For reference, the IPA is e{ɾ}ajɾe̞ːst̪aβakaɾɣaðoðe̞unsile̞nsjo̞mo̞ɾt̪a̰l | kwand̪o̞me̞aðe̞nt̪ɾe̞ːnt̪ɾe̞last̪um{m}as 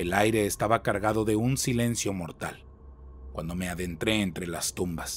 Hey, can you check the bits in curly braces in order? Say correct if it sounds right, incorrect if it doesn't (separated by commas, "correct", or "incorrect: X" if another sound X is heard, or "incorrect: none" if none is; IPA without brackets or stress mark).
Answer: incorrect: l, incorrect: b